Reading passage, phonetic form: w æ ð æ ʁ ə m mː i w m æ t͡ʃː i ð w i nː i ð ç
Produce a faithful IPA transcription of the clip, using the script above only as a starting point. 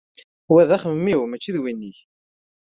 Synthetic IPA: w æ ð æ χ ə m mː i w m æ t͡ʃː i ð w i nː i ç